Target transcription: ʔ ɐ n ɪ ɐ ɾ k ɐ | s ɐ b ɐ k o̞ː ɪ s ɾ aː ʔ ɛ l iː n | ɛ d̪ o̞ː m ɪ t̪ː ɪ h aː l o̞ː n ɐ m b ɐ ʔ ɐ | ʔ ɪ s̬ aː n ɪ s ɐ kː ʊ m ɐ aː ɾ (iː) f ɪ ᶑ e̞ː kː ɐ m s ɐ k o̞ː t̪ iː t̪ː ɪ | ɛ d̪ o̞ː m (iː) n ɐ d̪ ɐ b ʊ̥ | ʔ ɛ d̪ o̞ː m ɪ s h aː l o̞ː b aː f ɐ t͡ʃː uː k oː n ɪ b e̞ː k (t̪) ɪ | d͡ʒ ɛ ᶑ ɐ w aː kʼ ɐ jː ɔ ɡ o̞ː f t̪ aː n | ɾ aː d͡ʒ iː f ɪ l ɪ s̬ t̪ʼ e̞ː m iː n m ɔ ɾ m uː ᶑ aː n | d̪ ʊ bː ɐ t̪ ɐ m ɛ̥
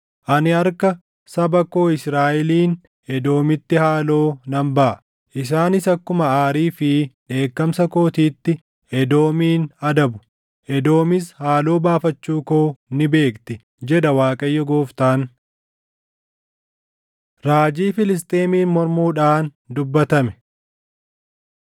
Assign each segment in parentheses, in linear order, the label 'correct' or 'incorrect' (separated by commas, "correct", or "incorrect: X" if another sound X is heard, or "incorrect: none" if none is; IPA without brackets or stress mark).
correct, correct, correct